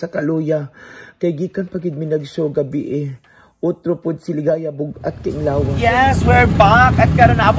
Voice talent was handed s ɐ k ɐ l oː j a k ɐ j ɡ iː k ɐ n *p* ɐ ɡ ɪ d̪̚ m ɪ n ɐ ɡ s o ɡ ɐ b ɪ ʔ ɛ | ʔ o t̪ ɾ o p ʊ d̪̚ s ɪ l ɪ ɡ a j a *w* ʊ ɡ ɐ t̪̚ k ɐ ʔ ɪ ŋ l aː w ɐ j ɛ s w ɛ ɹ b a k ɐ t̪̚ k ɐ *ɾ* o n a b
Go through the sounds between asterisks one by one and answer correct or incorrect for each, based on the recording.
correct, incorrect, correct

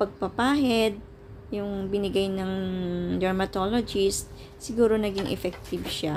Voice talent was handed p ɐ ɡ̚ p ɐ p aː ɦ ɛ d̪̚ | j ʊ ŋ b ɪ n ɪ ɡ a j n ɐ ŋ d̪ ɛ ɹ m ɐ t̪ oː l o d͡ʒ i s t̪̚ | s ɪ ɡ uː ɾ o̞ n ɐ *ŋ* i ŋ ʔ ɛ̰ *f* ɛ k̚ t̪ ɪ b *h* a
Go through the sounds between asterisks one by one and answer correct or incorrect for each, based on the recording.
incorrect, correct, incorrect

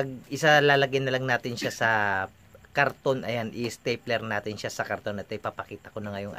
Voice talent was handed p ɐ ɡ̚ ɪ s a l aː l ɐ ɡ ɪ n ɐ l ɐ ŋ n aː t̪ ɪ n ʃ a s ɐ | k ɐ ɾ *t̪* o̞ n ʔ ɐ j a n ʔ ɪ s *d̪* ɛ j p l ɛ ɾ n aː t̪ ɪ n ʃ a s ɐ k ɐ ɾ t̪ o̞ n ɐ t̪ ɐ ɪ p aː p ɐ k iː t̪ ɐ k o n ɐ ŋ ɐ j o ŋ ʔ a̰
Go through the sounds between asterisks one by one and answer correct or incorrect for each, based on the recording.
correct, incorrect

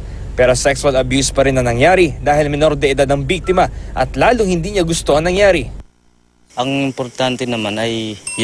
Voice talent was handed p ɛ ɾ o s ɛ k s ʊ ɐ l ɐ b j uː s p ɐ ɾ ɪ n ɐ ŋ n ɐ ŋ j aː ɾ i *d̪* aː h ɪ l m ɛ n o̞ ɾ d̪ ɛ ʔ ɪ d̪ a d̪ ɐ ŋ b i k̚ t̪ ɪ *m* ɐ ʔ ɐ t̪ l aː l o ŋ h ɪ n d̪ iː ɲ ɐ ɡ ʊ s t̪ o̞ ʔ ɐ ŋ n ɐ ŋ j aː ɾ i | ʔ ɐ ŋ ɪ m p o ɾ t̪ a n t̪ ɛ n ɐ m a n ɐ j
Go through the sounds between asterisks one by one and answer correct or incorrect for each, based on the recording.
correct, correct

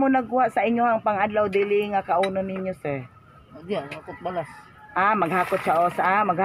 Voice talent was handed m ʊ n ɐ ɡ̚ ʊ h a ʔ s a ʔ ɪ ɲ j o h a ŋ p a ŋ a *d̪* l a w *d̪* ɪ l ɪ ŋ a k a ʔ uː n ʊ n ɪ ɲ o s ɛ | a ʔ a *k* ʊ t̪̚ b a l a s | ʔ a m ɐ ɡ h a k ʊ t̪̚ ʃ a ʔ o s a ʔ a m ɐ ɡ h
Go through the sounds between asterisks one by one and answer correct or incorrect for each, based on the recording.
correct, correct, correct

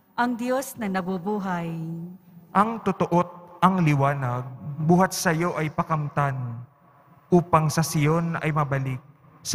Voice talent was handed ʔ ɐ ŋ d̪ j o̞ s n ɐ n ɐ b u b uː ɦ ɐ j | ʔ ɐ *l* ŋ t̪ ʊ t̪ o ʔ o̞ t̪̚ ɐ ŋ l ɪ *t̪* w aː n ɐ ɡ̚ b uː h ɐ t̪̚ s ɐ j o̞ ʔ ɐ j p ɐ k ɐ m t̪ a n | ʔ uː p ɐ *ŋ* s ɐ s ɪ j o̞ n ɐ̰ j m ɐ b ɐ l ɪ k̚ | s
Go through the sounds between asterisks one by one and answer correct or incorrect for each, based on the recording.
incorrect, incorrect, correct

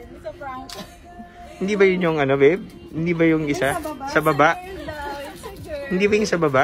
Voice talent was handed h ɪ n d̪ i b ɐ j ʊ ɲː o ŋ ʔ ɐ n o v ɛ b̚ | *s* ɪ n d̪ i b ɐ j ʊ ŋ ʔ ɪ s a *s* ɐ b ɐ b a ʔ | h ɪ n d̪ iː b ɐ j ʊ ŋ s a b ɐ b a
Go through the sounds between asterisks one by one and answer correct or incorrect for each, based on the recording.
incorrect, correct

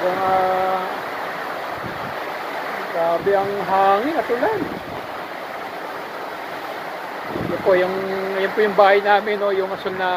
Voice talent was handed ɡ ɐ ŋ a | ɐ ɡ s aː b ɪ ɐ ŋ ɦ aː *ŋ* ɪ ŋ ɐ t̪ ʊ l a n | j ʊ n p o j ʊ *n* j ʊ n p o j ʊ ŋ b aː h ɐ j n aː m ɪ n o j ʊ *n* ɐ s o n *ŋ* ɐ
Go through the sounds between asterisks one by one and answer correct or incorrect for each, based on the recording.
correct, incorrect, incorrect, incorrect

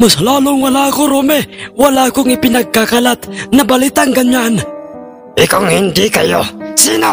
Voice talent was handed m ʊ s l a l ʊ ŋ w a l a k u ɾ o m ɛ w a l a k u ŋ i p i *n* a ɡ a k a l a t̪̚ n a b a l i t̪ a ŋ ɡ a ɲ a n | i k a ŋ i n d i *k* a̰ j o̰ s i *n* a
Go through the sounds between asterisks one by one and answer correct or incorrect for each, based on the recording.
correct, correct, correct

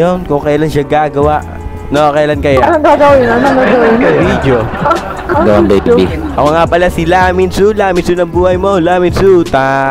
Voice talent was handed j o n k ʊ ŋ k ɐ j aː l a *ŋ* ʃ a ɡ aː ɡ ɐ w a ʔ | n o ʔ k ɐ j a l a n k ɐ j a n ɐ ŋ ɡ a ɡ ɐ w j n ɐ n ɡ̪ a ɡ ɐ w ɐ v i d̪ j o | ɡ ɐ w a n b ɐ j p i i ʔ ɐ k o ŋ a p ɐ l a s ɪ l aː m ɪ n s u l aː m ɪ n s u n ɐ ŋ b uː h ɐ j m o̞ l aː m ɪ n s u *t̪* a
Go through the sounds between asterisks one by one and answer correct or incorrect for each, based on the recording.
incorrect, correct

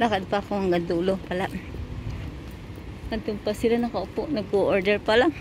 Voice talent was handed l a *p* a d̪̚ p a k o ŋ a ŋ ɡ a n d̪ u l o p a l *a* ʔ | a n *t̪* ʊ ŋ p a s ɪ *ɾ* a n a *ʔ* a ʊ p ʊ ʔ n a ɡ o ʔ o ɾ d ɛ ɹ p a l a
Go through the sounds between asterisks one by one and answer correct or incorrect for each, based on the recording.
incorrect, correct, correct, incorrect, incorrect

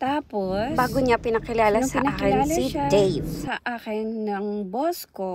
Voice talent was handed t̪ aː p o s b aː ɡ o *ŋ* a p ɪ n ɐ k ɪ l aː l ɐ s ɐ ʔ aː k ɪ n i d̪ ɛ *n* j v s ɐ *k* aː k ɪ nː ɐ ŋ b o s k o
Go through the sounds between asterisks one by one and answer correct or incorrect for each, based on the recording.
incorrect, incorrect, incorrect

